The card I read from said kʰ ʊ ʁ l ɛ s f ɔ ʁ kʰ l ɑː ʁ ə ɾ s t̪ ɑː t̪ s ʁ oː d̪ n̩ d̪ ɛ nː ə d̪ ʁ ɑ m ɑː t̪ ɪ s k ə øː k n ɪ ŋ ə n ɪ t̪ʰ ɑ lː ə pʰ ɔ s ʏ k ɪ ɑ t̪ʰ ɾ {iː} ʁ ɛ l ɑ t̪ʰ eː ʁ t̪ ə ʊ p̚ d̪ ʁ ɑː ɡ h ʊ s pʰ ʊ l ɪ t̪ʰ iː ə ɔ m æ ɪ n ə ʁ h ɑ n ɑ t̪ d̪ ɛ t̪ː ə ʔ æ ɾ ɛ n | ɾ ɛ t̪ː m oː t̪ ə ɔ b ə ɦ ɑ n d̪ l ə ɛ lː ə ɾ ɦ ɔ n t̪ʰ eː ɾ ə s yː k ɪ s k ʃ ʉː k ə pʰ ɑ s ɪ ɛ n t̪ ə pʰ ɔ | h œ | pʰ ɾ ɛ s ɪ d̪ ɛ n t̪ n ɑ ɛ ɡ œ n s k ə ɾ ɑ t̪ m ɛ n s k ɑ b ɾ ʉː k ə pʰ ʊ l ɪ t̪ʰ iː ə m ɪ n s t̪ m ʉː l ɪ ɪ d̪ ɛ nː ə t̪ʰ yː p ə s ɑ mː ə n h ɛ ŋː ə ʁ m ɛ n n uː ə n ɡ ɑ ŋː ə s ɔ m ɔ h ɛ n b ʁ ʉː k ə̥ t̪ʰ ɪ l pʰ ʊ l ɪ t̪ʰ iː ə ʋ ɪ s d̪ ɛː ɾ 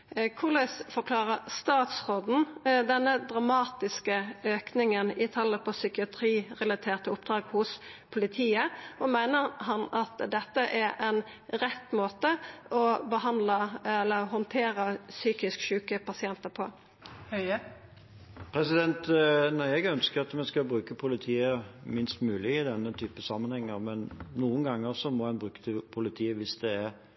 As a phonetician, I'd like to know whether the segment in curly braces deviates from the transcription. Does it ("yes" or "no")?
no